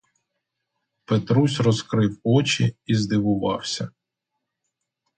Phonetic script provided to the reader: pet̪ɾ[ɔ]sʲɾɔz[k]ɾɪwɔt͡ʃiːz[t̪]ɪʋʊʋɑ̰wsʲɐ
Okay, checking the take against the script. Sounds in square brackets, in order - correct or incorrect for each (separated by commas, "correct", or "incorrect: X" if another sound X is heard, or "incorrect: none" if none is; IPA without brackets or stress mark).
incorrect: u, correct, incorrect: d̪